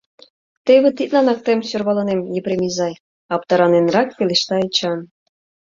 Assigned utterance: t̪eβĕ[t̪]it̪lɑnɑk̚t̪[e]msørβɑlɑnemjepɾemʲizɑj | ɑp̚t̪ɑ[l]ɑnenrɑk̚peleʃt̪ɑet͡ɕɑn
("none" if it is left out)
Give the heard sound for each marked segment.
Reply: t̪, e, ɾ

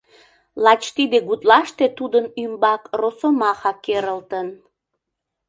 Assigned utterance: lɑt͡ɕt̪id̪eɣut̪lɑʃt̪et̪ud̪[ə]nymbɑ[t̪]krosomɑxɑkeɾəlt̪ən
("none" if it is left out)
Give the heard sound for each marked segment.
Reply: ə, none

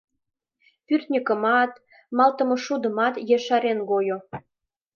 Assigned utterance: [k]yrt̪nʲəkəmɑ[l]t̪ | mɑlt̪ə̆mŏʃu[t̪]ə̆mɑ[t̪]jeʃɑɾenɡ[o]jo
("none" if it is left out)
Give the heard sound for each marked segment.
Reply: p, none, d̪, t̪, o

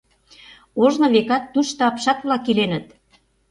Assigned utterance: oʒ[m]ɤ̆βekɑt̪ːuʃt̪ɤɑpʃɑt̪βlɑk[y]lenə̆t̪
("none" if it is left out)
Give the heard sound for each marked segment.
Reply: n, i

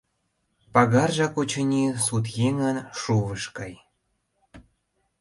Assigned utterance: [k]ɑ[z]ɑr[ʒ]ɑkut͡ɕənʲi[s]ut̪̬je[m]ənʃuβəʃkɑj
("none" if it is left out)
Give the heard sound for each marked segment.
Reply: p, ɣ, ʒ, s, ŋ

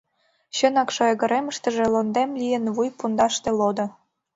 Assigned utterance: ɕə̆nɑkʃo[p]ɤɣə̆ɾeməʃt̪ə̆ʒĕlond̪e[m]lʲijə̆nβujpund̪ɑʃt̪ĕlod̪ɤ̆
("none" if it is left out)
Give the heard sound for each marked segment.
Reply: none, m

